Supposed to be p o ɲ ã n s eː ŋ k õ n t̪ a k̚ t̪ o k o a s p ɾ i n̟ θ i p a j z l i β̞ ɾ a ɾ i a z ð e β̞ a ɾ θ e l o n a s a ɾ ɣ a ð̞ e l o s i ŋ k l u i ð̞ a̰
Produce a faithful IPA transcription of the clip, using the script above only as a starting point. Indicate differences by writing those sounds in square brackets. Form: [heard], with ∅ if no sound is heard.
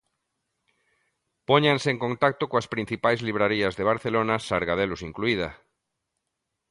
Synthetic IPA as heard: p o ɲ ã n s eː ŋ k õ n t̪ a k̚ t̪ o k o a s p ɾ i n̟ θ i p a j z l i β̞ ɾ a ɾ i a z ð e β̞ a ɾ θ e l o n a s a ɾ ɣ a ð̞ e l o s i ŋ k l u i ð̞ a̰